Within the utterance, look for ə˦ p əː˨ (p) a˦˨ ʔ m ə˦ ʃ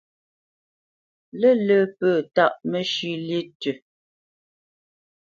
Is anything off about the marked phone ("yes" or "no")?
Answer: yes